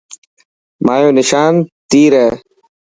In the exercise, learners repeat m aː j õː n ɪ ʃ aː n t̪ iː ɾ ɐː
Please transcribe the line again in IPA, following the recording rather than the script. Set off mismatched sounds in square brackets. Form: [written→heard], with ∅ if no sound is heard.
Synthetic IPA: m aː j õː n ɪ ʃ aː n t̪ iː ɾ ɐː